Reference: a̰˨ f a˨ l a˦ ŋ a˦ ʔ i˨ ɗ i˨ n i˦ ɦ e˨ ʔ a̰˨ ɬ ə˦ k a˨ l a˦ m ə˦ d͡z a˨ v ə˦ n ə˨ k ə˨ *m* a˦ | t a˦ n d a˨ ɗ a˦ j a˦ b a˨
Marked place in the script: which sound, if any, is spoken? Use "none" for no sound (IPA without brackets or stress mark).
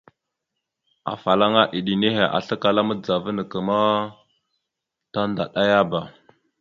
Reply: m